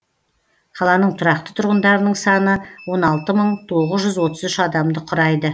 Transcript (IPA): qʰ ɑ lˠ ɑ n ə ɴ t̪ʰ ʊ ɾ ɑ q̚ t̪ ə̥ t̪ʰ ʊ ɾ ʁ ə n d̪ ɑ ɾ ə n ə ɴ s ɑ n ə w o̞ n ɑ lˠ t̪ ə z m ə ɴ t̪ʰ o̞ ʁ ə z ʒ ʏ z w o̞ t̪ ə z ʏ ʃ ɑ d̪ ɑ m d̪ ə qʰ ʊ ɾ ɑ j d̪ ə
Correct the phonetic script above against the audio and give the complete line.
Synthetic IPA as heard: qʰ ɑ lˠ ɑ n ə ɴ t̪ʰ ʊ ɾ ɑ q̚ t̪ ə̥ t̪ʰ ʊ ɾ ʁ ə n d̪ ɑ ɾ ə n ə ɴ s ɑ n ə w o̞ n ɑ lˠ t̪ ə m ə ɴ t̪ʰ o̞ ʁ ə z ʒ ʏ z w o̞ t̪ ə z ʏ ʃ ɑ d̪ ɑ m d̪ ə qʰ ʊ ɾ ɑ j d̪ ə